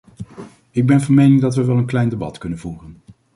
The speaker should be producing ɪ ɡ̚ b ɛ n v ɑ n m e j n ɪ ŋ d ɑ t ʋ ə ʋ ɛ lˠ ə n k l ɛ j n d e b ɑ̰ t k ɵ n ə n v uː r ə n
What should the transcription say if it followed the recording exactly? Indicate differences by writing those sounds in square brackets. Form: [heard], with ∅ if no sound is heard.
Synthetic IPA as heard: ɪ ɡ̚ b ɛ n v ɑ n m e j n ɪ ŋ d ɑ t ʋ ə ʋ ɛ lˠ ə n k l ɛ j n d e b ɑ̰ t k ɵ n ə n v uː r ə n